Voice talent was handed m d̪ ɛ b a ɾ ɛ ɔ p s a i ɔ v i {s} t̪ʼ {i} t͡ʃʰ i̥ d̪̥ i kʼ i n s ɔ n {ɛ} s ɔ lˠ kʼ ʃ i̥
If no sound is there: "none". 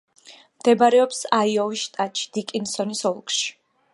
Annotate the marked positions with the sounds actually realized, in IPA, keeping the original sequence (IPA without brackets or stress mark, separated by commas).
ʃ, a, i